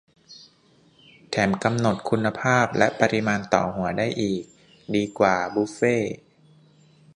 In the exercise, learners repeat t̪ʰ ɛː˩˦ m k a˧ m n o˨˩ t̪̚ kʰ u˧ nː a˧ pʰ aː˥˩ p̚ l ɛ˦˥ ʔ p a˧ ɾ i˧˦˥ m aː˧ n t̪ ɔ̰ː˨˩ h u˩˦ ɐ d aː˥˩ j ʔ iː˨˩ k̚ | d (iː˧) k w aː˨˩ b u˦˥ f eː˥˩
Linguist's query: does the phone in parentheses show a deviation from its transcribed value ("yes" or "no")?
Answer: no